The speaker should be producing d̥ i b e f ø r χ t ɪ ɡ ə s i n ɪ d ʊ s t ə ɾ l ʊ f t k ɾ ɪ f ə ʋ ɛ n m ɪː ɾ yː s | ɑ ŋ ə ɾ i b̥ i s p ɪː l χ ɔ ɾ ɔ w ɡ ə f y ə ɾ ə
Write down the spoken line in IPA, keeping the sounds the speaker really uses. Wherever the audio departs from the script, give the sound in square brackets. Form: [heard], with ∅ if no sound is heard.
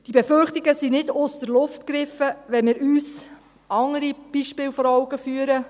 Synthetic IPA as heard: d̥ i b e f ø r χ t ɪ ɡ ə s i n ɪ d ʊ s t ə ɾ l ʊ f t k ɾ ɪ f ə ʋ ɛ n m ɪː ɾ yː s | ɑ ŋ ə ɾ i b̥ i [ʃ] p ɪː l [f] ɔ ɾ ɔ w ɡ ə f y ə ɾ ə